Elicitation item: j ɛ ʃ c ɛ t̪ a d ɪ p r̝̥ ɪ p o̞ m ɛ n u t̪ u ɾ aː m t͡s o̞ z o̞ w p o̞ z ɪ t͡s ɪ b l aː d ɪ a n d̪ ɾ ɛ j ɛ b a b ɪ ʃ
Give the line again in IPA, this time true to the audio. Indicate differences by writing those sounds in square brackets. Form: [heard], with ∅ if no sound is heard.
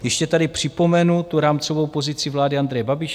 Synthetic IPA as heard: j ɛ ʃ c ɛ t̪ a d ɪ p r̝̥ ɪ p o̞ m ɛ n u t̪ u ɾ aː m t͡s o̞ [v] o̞ w p o̞ z ɪ t͡s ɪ [v] l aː d ɪ a n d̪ ɾ ɛ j ɛ b a b ɪ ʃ